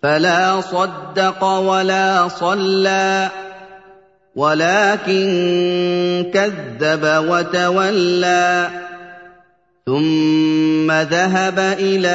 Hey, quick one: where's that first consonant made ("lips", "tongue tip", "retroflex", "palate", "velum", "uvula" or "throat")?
lips